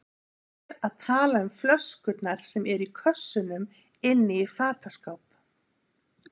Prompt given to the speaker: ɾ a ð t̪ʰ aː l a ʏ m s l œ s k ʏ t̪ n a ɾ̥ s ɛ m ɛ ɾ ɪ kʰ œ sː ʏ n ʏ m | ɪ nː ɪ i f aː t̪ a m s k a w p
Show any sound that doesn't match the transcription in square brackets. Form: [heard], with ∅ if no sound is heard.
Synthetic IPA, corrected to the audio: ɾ a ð t̪ʰ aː l a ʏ m [f] l œ s k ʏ t̪ n a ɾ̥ s ɛ m ɛ ɾ [i] kʰ œ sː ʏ n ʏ m | ɪ nː ɪ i f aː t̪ a [∅] s k a w p